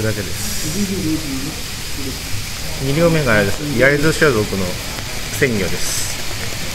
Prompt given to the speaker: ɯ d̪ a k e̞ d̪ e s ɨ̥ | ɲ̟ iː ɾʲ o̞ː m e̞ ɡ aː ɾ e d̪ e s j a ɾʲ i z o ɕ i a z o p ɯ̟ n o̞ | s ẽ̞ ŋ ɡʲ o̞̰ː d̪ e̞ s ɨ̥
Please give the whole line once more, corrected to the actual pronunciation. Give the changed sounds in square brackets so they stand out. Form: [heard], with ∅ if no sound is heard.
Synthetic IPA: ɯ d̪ a k e̞ d̪ e s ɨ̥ | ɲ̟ [i] ɾʲ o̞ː m e̞ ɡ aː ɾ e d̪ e s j a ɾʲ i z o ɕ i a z o [k] ɯ̟ n o̞ | s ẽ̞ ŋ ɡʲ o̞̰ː d̪ e̞ s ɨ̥